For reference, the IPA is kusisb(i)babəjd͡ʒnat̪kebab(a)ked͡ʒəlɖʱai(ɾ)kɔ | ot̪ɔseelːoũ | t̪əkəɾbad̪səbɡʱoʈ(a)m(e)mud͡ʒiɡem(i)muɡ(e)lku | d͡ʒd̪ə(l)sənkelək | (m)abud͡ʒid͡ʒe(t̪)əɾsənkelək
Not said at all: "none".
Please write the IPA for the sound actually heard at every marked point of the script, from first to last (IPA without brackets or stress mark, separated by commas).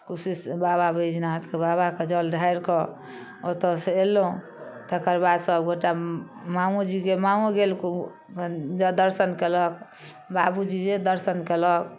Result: a, a, ɾ, a, a, a, e, ɾ, b, d̪